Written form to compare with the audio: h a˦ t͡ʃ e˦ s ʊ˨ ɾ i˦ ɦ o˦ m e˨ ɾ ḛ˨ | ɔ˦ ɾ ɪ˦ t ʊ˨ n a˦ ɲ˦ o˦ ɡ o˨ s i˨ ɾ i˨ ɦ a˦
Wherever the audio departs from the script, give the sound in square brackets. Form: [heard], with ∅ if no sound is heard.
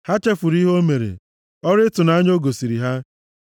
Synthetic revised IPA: h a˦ t͡ʃ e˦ [f] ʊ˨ ɾ i˦ ɦ o˦ m e˨ ɾ ḛ˨ | ɔ˦ ɾ ɪ˦ t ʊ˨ n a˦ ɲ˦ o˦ ɡ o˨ s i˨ ɾ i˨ ɦ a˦